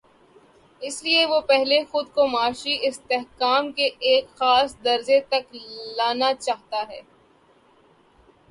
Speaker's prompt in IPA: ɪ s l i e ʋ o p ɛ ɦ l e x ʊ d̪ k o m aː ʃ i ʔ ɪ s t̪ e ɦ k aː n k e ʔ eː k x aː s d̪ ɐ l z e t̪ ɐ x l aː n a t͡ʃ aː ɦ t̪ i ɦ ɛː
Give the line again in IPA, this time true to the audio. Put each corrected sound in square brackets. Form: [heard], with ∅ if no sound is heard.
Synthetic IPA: ɪ s l i e ʋ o p ɛ ɦ l e x ʊ d̪ k o m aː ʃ i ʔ ɪ s t̪ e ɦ k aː [m] k e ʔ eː k x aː s d̪ ɐ [ɾ] z e t̪ ɐ [k] l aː n a t͡ʃ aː ɦ t̪ [a] ɦ ɛː